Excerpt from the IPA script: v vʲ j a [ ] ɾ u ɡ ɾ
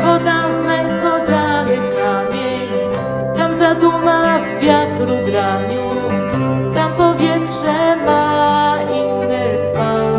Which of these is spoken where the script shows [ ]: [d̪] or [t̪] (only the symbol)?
t̪